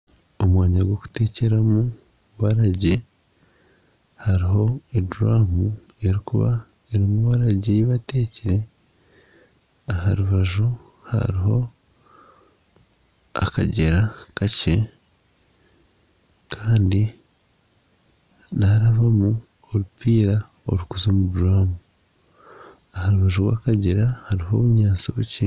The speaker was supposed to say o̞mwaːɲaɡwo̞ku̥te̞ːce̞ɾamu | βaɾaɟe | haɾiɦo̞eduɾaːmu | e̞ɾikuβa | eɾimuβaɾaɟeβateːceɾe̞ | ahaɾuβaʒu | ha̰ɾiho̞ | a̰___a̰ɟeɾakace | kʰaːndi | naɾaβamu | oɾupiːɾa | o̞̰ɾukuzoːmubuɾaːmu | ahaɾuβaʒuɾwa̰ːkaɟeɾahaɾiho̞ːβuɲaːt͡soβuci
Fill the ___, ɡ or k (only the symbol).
k